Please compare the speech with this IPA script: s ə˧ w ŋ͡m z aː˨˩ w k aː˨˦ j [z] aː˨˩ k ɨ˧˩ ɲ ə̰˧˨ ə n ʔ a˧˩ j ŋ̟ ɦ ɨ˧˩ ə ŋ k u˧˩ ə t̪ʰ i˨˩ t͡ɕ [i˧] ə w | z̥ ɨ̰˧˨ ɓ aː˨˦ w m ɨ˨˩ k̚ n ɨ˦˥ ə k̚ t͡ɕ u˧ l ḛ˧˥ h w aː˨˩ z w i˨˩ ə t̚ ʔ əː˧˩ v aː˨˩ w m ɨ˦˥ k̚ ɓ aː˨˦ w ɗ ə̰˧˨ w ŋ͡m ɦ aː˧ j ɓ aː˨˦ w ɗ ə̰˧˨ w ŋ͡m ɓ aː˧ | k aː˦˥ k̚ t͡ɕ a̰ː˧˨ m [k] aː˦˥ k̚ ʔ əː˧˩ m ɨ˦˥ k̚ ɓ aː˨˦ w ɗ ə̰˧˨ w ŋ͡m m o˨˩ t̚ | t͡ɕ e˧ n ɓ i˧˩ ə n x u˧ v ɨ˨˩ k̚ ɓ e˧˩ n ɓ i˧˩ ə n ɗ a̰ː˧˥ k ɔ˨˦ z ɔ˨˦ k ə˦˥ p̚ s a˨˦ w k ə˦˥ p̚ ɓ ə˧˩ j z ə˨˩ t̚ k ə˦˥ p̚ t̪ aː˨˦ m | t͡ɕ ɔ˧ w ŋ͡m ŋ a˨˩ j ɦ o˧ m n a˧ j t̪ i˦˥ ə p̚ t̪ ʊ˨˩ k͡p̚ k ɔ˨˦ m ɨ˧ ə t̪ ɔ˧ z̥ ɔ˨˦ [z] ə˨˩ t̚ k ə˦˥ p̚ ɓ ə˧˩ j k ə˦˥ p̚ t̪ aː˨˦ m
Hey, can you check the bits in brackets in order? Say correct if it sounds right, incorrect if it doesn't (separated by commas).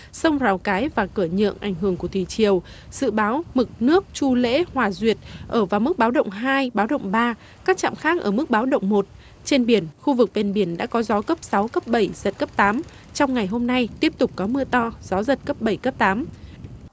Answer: incorrect, incorrect, incorrect, correct